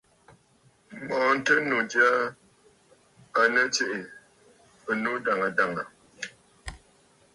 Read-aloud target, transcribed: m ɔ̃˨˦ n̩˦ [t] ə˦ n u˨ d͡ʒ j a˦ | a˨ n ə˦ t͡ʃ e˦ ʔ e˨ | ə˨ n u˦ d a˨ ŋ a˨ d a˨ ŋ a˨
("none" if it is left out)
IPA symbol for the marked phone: t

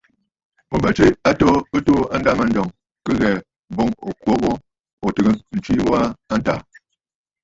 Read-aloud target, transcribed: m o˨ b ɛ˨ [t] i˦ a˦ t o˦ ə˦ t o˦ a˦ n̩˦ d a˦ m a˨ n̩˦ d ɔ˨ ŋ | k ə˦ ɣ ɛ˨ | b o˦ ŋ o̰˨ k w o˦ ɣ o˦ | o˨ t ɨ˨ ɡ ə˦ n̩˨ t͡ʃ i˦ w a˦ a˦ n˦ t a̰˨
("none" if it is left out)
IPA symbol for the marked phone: t͡ʃ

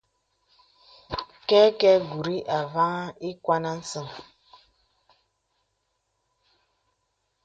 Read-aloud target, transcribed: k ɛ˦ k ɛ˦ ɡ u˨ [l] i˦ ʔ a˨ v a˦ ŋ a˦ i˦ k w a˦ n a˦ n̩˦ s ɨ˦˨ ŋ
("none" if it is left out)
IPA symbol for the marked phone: ɾ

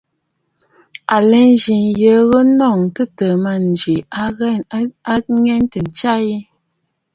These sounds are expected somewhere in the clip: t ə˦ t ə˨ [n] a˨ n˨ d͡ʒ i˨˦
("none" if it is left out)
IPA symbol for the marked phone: m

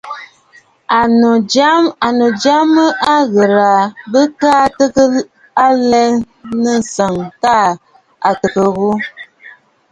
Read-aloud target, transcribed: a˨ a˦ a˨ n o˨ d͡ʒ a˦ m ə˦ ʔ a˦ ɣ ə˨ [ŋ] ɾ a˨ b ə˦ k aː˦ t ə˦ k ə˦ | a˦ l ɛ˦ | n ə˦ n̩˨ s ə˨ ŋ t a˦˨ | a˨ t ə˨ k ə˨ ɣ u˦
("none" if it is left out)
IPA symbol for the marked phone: none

